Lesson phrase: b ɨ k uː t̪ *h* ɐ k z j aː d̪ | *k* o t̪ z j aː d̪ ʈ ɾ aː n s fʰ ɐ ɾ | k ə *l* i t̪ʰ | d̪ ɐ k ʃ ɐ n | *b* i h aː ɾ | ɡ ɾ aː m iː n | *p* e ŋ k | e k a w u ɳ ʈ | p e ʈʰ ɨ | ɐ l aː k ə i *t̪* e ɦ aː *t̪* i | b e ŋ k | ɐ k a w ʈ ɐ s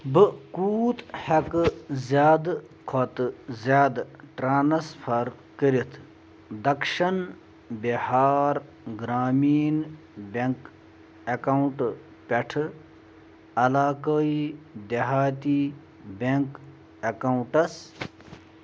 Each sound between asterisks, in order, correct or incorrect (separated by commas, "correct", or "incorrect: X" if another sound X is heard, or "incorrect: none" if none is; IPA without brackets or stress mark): correct, incorrect: kʰ, incorrect: ɾ, correct, incorrect: b, incorrect: d̪, correct